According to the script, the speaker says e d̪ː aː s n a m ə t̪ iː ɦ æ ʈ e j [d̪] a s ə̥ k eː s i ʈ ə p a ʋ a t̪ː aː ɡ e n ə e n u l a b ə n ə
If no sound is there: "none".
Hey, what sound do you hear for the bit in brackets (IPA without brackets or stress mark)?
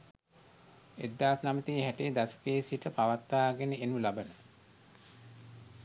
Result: d̪